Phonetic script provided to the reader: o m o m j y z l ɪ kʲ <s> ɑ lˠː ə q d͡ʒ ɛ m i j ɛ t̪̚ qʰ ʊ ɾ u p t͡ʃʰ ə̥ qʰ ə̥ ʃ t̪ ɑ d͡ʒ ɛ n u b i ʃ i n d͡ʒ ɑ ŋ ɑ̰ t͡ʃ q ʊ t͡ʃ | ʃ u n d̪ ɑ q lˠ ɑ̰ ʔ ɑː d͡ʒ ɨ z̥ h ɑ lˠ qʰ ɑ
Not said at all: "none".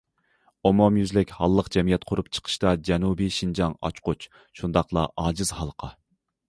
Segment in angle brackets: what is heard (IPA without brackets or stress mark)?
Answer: h